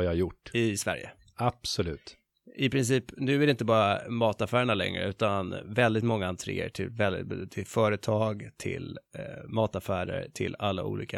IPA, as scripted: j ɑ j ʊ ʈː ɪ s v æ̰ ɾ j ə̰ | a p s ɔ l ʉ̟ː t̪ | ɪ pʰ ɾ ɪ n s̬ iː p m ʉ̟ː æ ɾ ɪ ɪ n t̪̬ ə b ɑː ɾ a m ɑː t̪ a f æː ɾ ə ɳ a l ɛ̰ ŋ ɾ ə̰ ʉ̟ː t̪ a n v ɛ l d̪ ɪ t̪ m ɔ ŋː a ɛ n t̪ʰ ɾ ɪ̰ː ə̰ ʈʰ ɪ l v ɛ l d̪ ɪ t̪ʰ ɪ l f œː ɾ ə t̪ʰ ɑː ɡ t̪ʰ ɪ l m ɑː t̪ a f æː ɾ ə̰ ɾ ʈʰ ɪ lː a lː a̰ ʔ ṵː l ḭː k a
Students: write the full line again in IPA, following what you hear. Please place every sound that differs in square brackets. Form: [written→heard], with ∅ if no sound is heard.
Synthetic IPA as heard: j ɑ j ʊ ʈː ɪ s v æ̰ ɾ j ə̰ | a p s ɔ l ʉ̟ː t̪ | ɪ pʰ ɾ ɪ n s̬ iː p [m→n] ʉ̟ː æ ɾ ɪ ɪ n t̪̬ ə b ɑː ɾ a m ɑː t̪ a f æː ɾ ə ɳ a l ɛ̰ ŋ ɾ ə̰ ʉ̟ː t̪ a n v ɛ l d̪ ɪ t̪ m ɔ ŋː a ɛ n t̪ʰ ɾ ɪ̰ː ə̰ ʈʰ ɪ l v ɛ l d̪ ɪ t̪ʰ ɪ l f œː ɾ ə t̪ʰ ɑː ɡ t̪ʰ ɪ l m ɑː t̪ a f æː ɾ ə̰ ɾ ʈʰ ɪ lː a lː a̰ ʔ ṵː l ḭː k a